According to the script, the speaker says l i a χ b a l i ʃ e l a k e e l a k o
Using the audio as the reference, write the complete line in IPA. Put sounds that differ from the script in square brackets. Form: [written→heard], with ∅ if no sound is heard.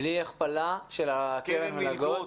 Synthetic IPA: l i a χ [b→p] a l [i→a] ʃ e l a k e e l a [k→ɡ] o

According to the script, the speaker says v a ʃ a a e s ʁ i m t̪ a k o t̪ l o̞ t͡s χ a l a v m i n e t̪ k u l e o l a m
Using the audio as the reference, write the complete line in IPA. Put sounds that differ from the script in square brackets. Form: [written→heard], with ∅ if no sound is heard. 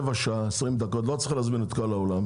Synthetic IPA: v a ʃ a a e s ʁ i m [t̪→d̪] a k o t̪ l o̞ t͡s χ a l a [v→z] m i n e t̪ k [u→o] l [e→a] o l a m

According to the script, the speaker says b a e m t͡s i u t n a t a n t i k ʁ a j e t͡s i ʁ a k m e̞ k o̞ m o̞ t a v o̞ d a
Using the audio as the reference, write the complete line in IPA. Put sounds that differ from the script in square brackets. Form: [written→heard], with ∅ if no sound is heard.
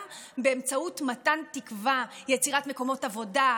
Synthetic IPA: b [a→e] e m t͡s [i→a] u t [n→m] a t a n t i k [ʁ→v] a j e t͡s i ʁ a [k→t] m e̞ k o̞ m o̞ t a v o̞ d a

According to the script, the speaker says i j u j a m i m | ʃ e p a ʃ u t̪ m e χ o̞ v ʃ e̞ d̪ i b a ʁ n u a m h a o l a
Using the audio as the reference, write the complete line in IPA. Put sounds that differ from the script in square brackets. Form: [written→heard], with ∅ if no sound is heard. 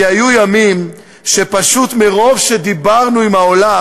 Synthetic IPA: [i→a] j u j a m i m | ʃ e p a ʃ u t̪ m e [χ→ʁ] o̞ v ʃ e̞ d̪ i b a ʁ n u [a→i] m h a o l a

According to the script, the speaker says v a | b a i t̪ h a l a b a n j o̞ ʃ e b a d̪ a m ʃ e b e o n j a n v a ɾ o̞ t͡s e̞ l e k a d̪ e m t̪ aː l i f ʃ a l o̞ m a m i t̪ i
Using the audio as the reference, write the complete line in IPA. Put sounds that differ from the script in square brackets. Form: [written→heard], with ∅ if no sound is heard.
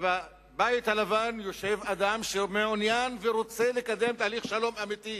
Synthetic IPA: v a | b a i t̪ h a l a [b→v] a n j o̞ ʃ e [b→v] a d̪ a m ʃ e [b→m] e o n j a n v [a→e] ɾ o̞ t͡s e̞ l e k a d̪ e m t̪ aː l i [f→χ] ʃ a l o̞ m a m i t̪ i

